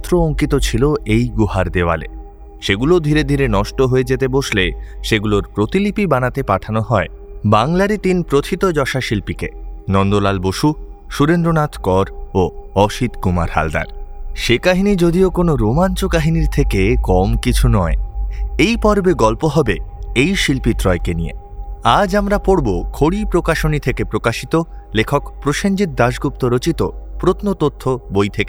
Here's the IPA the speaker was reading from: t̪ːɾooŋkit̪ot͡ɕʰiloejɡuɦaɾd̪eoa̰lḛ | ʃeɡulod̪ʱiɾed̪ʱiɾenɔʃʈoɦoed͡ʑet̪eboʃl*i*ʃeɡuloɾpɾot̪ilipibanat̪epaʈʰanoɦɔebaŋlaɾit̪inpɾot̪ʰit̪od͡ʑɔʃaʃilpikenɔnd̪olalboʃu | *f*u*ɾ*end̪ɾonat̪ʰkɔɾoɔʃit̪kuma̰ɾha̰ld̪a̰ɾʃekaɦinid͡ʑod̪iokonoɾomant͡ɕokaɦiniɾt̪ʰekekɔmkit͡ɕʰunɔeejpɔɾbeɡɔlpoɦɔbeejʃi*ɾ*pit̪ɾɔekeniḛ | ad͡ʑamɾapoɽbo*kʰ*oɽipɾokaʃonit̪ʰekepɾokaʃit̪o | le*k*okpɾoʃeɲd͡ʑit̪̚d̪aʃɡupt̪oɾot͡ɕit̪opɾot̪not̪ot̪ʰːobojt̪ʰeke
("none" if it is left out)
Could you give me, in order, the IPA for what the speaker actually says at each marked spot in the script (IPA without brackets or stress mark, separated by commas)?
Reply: e, ʃ, ɾ, l, kʰ, kʰ